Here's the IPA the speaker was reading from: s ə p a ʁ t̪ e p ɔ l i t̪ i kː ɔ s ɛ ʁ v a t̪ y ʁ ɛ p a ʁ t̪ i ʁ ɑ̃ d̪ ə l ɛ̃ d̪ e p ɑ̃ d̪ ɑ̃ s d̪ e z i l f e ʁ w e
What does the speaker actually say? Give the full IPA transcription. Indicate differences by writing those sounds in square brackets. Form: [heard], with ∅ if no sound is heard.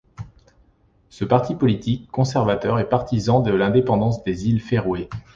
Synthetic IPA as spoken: s ə p a ʁ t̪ [i] p ɔ l i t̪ i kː [ɔ̃] s ɛ ʁ v a t̪ [œ] ʁ ɛ p a ʁ t̪ i [z] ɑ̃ d̪ ə l ɛ̃ d̪ e p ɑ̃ d̪ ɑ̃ s d̪ e z i l f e ʁ w e

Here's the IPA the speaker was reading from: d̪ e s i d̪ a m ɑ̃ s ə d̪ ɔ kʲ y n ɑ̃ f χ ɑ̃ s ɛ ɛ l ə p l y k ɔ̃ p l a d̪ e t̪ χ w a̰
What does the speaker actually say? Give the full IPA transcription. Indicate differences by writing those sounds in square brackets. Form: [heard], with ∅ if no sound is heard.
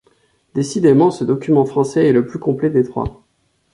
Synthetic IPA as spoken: d̪ e s i d̪ [e] m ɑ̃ s ə d̪ ɔ kʲ y [m] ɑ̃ f χ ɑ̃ s ɛ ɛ l ə p l y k ɔ̃ p l [ɛ] d̪ e t̪ χ w a̰

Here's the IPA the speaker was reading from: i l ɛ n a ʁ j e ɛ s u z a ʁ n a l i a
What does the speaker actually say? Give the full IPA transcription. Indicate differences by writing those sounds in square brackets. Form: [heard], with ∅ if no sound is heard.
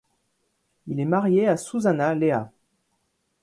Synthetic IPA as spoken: i l ɛ [m] a ʁ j e [a] s u z a [∅] n a l [e] a

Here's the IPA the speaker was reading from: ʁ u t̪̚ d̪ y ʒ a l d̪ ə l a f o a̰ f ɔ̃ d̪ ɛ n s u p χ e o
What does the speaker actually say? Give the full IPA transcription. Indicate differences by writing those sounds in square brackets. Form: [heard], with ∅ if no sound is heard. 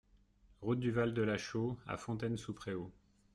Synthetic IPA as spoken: ʁ u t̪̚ d̪ y [v] a l d̪ ə l a [ʃ] o a̰ f ɔ̃ [t̪] ɛ n s u p χ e o

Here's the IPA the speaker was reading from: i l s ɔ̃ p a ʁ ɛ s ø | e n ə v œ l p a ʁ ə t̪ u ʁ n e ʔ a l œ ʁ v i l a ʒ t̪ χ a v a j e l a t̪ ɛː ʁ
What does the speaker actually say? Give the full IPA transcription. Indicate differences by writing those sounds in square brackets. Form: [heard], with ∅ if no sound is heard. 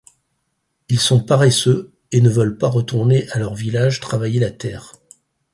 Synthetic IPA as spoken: i l s ɔ̃ p a ʁ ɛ s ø | e n ə v œ l p a ʁ ə t̪ u ʁ n e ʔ a l œ ʁ v i l a ʒ t̪ χ a v a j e l a t̪ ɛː ʁ

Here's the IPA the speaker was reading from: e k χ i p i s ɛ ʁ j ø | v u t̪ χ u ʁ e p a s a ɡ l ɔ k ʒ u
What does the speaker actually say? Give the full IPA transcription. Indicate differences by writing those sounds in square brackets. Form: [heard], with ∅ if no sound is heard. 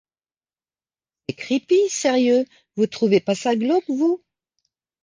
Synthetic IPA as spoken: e k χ i p i s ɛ ʁ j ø | v u t̪ χ u [v] e p a s a ɡ l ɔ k [v] u

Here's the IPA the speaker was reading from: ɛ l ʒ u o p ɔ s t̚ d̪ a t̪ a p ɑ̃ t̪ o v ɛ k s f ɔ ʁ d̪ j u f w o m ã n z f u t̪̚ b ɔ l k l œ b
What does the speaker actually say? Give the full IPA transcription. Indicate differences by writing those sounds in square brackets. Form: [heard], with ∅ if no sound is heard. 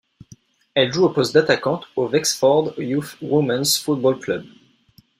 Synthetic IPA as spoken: ɛ l ʒ u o p ɔ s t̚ d̪ a t̪ a [k] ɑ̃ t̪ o v ɛ k s f ɔ ʁ d̪ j u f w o m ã n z f u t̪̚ b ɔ l k l œ b

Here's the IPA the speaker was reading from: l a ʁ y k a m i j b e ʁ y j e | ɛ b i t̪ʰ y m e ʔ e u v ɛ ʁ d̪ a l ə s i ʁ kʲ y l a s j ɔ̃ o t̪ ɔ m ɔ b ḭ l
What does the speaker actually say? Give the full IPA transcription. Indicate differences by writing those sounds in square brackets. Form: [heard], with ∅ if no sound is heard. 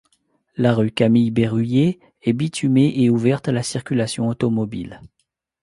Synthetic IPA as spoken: l a ʁ y k a m i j b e ʁ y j e | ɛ b i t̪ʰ y m e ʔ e u v ɛ ʁ [t̪] a l [a] s i ʁ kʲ y l a s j ɔ̃ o t̪ ɔ m ɔ b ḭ l

